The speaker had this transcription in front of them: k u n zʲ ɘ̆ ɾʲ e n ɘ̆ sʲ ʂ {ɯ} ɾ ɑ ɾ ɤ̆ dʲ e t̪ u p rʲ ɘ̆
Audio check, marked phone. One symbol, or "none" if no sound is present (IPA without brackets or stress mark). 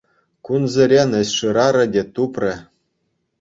ɯ